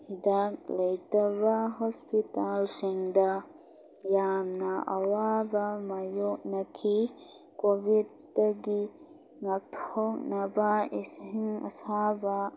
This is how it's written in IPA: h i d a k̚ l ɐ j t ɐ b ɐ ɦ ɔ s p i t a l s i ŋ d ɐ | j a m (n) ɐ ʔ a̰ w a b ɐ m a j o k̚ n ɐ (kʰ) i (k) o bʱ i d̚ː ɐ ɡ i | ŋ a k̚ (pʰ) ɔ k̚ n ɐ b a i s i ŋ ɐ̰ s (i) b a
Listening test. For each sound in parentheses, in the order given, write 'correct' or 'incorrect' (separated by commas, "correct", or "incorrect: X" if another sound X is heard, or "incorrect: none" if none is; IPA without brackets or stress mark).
correct, correct, correct, incorrect: tʰ, incorrect: a